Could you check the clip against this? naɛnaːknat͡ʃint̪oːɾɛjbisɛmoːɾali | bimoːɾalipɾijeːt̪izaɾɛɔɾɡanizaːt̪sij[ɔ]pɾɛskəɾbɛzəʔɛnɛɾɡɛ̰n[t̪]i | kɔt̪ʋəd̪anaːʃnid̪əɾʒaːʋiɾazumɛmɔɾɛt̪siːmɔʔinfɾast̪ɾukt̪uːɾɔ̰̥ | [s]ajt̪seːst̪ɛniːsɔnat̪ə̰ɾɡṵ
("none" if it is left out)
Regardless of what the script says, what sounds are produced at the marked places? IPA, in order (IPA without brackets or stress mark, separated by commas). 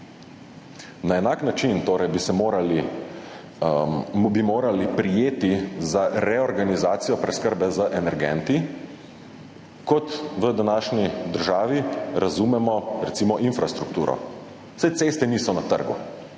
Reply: ɔ, t̪, s